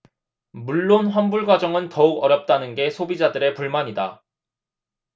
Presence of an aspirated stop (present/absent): absent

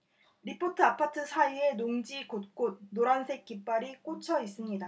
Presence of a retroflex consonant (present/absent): absent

